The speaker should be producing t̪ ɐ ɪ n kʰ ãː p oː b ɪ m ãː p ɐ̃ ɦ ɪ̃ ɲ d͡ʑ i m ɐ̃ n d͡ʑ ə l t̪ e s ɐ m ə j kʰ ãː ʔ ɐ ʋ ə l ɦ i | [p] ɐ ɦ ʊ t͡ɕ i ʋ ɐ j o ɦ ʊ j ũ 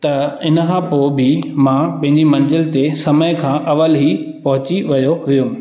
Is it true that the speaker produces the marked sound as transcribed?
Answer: yes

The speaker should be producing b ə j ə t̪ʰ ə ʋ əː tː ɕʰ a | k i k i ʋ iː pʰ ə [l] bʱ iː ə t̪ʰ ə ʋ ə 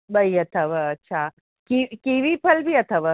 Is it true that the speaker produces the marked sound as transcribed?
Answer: yes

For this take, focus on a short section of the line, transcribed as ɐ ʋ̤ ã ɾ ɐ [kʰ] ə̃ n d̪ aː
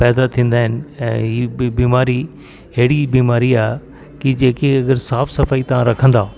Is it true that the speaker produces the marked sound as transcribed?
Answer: yes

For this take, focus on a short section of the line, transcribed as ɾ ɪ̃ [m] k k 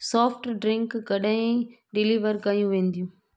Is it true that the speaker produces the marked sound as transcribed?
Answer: no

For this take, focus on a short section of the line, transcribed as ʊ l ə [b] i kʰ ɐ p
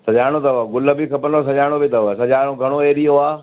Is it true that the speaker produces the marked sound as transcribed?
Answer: yes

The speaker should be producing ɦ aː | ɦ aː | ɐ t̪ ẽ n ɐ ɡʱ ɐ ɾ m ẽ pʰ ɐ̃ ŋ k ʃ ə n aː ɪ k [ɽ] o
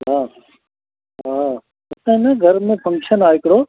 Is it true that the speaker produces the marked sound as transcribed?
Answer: yes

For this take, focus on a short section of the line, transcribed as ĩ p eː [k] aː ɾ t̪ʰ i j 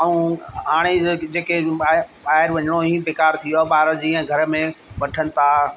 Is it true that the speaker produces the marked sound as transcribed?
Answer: yes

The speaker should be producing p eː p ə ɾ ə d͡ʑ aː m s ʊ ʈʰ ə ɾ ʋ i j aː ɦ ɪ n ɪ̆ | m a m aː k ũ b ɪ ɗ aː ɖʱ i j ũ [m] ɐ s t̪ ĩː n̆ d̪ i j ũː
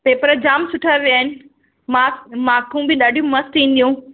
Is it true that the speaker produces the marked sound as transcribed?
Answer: yes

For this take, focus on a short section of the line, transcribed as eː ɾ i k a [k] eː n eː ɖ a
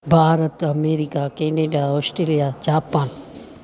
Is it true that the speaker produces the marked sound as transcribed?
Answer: yes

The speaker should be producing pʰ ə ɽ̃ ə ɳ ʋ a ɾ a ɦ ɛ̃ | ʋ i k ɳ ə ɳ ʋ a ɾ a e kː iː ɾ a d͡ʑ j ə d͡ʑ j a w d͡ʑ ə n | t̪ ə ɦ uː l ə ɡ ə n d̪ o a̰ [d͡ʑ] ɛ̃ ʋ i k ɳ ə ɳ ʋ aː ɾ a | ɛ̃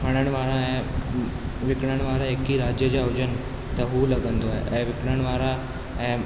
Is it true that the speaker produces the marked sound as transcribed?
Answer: no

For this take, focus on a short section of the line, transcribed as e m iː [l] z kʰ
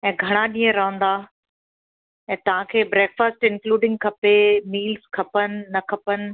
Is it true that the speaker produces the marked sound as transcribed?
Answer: yes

